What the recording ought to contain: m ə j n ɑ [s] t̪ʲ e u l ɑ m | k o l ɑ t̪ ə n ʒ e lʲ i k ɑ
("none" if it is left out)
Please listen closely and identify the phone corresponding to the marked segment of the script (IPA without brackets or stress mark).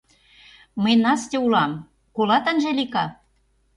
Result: s